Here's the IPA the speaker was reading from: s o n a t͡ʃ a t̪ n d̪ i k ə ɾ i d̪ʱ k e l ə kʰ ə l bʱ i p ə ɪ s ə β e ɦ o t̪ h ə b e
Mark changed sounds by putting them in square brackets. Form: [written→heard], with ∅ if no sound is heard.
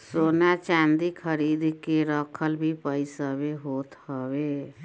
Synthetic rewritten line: s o n a t͡ʃ a [t̪→∅] n d̪ i [k→kʰ] ə ɾ i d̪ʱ k e [l→ɾ] ə kʰ ə l bʱ i p ə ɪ s ə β e ɦ o t̪ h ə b e